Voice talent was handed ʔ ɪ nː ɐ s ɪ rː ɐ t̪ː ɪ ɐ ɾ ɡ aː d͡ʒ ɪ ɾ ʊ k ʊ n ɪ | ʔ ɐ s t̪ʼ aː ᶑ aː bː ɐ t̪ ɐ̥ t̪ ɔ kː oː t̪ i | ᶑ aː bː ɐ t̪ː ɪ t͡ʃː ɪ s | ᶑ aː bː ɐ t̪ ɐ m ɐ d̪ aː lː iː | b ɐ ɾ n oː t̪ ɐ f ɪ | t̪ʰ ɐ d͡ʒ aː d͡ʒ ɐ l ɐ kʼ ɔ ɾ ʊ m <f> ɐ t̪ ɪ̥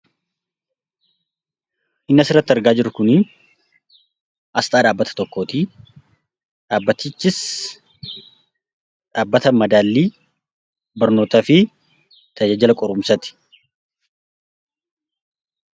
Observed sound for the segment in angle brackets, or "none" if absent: s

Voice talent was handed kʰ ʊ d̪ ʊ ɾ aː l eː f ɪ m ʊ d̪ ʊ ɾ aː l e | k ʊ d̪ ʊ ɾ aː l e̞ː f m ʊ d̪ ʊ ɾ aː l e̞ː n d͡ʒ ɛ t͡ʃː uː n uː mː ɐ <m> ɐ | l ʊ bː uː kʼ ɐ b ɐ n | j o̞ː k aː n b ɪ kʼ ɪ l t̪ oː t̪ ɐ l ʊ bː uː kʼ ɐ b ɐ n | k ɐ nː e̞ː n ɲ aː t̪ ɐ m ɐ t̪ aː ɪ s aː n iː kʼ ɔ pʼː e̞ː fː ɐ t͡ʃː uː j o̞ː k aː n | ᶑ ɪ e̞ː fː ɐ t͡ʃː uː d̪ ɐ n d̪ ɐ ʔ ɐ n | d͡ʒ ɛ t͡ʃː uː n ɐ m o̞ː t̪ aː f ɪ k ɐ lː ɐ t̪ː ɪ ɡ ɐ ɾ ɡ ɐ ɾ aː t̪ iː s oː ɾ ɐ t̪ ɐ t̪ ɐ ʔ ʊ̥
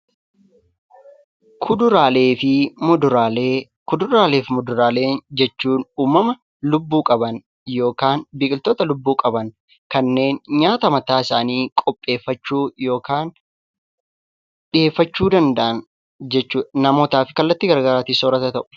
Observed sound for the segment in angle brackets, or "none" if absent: m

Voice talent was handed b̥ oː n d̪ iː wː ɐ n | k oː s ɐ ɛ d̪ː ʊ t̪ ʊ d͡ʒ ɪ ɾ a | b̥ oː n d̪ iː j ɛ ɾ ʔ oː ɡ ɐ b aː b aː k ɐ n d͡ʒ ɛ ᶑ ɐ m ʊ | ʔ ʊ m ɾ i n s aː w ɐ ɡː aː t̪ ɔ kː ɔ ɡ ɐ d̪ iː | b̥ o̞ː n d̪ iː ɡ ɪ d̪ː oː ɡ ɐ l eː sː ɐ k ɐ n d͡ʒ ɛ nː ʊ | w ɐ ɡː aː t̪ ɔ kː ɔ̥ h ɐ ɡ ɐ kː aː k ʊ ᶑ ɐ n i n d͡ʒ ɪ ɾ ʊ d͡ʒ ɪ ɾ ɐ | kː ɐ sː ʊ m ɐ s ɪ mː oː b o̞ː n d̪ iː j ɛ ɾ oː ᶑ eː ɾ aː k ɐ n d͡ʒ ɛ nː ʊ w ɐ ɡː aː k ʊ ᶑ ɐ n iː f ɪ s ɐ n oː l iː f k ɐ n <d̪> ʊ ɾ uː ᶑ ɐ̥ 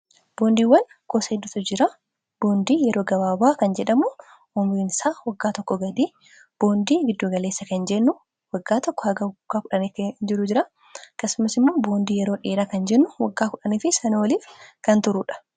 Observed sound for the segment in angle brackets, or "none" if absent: t̪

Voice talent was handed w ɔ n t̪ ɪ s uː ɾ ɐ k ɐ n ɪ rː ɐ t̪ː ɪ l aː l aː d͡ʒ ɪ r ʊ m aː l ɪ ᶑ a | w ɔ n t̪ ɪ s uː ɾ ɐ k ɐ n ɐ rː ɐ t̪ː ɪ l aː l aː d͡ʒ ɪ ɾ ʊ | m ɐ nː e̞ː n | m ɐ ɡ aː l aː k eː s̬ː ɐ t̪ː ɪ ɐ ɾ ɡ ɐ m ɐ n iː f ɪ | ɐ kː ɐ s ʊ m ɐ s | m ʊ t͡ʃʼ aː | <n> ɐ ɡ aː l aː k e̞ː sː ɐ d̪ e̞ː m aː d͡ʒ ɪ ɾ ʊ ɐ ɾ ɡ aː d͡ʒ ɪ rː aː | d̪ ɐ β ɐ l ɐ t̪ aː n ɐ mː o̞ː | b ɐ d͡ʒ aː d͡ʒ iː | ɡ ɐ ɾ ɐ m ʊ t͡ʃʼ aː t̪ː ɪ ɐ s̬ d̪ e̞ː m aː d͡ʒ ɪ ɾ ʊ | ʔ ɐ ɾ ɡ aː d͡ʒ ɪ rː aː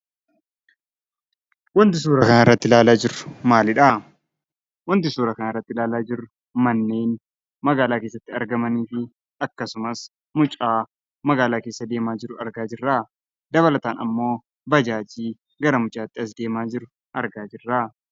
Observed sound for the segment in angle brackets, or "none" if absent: m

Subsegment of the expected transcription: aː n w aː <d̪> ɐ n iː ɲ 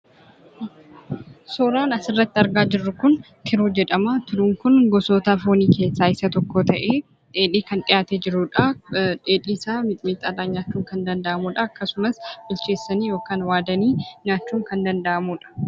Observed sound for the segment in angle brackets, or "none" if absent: d̪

